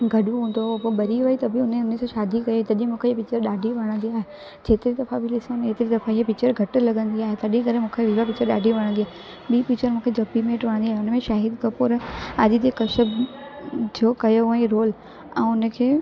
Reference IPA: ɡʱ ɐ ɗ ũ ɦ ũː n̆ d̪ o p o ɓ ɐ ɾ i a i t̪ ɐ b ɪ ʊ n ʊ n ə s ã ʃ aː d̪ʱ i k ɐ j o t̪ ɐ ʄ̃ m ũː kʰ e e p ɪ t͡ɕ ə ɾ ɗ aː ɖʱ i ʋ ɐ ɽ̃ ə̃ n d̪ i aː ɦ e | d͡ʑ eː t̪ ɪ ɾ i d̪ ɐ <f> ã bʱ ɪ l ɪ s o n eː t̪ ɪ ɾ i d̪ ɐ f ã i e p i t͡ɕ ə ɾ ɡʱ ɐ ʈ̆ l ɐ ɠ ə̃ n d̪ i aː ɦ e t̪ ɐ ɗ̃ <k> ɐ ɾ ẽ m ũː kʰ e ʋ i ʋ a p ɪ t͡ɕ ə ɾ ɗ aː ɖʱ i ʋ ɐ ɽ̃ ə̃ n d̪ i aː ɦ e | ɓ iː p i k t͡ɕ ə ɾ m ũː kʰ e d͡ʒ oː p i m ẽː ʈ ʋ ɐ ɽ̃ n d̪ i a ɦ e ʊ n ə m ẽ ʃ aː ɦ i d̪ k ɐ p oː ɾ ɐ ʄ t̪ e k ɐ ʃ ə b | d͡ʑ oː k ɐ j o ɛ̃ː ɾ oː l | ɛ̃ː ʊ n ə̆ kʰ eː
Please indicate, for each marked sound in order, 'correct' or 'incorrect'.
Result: correct, correct

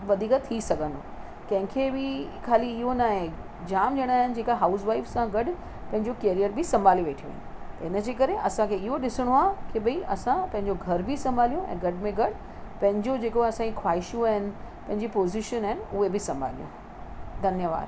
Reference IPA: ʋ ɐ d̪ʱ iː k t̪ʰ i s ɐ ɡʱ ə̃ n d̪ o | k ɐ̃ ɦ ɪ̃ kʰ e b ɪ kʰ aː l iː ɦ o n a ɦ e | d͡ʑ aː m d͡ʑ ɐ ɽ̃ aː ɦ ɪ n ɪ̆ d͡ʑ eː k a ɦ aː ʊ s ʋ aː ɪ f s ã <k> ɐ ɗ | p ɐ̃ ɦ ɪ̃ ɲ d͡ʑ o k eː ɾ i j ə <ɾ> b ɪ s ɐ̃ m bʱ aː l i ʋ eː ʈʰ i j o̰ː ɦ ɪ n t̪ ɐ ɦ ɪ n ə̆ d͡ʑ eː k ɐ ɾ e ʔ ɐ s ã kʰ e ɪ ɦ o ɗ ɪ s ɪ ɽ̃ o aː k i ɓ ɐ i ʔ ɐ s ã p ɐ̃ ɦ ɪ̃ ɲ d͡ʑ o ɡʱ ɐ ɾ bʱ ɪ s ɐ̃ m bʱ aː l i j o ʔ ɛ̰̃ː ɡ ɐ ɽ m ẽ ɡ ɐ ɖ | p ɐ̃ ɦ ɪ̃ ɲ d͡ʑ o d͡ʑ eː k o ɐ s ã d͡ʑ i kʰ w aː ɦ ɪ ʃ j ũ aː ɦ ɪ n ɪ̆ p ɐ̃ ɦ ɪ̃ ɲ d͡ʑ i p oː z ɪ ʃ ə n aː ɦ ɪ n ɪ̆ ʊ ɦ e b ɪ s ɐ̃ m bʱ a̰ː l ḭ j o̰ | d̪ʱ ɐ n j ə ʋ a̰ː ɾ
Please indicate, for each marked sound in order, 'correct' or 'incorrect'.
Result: incorrect, correct

